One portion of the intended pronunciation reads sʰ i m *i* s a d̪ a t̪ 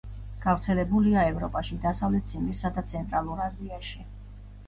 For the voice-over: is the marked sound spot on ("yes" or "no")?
yes